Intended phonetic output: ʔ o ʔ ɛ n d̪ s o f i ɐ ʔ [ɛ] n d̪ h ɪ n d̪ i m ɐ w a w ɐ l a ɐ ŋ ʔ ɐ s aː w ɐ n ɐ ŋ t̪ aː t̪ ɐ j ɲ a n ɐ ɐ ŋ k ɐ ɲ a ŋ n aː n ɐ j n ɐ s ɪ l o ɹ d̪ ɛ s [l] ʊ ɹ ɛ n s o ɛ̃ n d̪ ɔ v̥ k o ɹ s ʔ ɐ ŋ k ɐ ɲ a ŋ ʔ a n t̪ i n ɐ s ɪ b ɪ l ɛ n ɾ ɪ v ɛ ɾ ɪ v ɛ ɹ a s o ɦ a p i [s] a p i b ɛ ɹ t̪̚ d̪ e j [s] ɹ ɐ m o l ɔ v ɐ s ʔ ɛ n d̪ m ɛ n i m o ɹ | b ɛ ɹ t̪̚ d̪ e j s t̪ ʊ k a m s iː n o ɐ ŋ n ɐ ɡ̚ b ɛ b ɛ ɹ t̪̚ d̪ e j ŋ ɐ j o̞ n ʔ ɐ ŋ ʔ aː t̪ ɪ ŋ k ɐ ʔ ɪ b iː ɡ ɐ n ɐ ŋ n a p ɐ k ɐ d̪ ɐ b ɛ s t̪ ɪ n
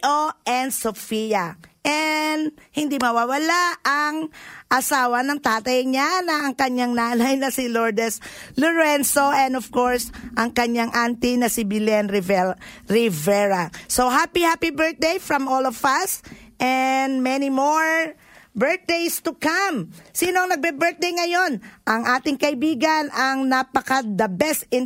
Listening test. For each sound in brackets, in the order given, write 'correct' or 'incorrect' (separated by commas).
correct, correct, incorrect, incorrect